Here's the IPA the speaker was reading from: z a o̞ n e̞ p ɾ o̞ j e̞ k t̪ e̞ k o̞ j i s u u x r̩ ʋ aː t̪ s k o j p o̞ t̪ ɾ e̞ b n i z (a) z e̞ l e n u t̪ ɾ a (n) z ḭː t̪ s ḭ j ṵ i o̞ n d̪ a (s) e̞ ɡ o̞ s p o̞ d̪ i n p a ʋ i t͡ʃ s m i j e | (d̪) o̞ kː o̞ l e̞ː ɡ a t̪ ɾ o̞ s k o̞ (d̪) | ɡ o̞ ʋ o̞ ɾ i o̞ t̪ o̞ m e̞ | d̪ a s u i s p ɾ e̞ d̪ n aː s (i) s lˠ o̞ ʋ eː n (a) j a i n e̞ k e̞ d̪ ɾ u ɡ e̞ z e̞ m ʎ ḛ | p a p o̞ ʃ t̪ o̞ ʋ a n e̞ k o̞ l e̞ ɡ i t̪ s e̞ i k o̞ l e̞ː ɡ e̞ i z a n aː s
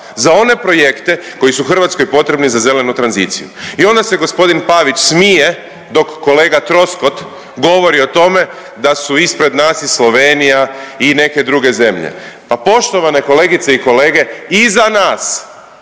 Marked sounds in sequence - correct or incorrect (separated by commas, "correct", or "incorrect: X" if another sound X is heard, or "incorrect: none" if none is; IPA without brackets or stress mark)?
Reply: correct, correct, correct, correct, incorrect: t̪, correct, incorrect: i